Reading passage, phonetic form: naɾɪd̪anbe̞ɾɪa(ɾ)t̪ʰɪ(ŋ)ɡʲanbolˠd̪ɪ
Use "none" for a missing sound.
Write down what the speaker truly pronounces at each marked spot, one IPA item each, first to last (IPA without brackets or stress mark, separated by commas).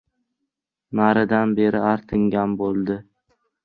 ɾ, ŋ